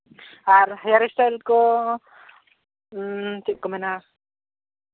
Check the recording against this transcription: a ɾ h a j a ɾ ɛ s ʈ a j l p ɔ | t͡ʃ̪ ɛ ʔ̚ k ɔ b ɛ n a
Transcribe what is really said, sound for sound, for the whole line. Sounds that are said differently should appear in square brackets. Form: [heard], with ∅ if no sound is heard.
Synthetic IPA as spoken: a ɾ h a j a ɾ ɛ s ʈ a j l [k] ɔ | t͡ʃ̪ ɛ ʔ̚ k ɔ [m] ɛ n a

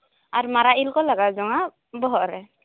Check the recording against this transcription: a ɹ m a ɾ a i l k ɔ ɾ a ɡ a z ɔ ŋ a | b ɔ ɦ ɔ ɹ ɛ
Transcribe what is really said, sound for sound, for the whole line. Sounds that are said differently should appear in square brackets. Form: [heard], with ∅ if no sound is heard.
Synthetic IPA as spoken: a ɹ m a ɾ a i l k ɔ [l] a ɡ a z ɔ ŋ a | b ɔ ɦ ɔ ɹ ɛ

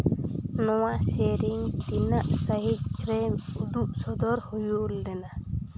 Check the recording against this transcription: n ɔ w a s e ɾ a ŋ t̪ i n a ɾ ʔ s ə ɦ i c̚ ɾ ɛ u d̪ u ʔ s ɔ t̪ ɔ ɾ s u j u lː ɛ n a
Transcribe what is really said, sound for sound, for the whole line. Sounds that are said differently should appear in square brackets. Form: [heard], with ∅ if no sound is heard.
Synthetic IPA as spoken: n ɔ w a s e ɾ [i] ŋ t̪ i n a [∅] ʔ s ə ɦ i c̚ ɾ ɛ u d̪ u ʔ s ɔ [d̪] ɔ ɾ [h] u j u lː ɛ n a

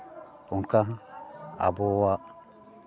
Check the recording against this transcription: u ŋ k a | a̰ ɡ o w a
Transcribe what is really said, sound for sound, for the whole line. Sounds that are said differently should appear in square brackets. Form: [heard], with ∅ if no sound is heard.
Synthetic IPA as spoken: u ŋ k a | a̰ [b] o w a

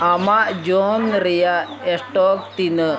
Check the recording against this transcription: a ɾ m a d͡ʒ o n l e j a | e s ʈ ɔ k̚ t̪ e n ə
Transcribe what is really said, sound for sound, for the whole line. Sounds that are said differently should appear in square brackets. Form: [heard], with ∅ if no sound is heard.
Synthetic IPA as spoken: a [∅] m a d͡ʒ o n [ɾ] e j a | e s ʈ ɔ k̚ t̪ [i] n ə

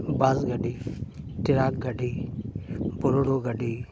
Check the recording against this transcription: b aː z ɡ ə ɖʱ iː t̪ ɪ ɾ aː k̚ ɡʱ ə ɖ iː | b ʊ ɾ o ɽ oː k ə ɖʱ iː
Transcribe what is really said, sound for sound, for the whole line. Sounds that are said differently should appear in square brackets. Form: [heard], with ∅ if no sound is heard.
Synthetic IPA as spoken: b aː z ɡ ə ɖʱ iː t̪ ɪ ɾ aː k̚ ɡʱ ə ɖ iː | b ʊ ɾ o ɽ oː [ɡ] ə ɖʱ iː

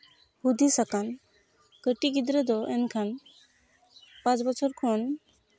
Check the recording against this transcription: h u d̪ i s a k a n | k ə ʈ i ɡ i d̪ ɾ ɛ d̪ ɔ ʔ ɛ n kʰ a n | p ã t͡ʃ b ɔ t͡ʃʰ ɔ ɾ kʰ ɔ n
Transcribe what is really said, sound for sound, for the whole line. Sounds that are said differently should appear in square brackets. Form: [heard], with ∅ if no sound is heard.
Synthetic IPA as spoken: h u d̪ i s a k a n | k ə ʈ i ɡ i d̪ ɾ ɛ d̪ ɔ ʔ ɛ n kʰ a n | p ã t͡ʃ b ɔ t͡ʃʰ ɔ ɾ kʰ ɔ n

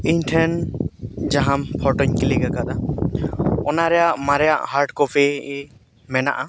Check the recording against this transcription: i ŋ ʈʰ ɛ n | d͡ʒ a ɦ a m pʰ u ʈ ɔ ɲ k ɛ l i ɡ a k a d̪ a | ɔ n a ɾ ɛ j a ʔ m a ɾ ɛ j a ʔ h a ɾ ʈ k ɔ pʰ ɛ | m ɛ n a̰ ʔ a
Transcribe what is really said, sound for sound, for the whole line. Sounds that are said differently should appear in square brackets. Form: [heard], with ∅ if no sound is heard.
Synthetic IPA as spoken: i [ɲ] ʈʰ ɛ n | d͡ʒ a ɦ a m pʰ [ɔ] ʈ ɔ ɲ k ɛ l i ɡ a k a d̪ a | ɔ n a ɾ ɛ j a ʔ m a ɾ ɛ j a ʔ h a ɾ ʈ k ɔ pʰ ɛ | m ɛ n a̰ ʔ a

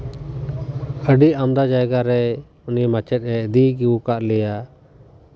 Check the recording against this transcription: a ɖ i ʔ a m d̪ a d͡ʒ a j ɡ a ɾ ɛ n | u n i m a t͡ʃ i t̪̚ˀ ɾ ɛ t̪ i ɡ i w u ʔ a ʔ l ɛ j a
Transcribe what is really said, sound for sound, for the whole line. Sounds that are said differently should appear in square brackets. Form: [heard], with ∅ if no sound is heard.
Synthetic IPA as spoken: [ə] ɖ i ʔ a m d̪ a d͡ʒ a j ɡ a ɾ ɛ [∅] | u n i m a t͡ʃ [ɛ] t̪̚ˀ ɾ ɛ [d̪] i ɡ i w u [k] a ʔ l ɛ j a

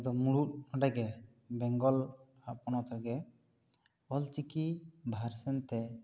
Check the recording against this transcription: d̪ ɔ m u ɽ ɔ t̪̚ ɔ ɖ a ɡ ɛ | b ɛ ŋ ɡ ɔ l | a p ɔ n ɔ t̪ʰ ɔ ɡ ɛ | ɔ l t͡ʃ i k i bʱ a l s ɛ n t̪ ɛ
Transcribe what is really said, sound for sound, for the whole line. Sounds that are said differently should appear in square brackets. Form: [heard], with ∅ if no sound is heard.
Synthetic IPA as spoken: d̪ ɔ m u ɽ [u] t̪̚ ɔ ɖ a ɡ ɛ | b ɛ ŋ ɡ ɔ l | a p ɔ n ɔ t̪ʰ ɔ ɡ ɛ | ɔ l t͡ʃ i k i bʱ a [ɾ] s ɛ n t̪ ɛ

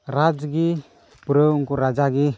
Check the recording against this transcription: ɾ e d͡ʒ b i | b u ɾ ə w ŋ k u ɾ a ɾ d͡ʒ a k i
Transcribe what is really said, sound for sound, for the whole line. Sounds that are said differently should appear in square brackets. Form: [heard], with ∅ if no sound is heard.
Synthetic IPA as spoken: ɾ [a] d͡ʒ [ɡ] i | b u ɾ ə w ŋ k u ɾ a [∅] d͡ʒ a [ɡ] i

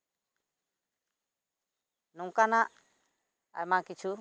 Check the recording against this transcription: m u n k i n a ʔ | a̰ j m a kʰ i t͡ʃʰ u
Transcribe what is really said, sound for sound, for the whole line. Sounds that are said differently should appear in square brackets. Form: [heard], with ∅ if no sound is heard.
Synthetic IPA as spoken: [n] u [ŋ] k [a] n a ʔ | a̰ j m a [k] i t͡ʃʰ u

